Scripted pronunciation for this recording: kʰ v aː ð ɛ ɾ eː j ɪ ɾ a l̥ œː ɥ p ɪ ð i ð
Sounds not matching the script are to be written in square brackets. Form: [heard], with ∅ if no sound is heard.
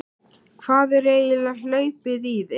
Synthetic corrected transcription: kʰ v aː ð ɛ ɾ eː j ɪ [l] a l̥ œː ɥ p ɪ ð i ð